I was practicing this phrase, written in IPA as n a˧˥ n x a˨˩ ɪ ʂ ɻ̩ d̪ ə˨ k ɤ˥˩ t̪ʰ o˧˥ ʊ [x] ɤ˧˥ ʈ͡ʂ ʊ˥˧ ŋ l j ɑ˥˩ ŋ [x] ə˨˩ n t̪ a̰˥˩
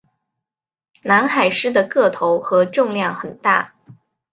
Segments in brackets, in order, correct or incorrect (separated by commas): correct, correct